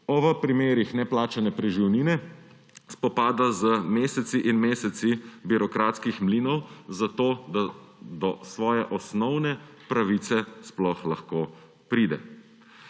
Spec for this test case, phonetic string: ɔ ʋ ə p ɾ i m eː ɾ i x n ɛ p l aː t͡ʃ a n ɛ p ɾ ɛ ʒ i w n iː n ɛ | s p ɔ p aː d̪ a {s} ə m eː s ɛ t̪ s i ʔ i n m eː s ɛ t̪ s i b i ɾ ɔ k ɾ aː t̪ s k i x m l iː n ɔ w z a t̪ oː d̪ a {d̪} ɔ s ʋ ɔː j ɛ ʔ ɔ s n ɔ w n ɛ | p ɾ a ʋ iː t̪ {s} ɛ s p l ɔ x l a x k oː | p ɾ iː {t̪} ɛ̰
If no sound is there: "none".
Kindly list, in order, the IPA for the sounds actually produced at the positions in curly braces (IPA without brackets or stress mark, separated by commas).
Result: z, d̪, s, d̪